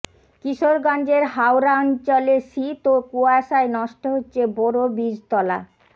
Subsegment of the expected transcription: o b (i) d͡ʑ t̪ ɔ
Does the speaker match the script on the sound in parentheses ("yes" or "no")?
yes